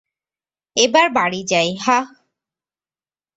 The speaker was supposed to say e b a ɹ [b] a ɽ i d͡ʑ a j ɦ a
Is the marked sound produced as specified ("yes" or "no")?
yes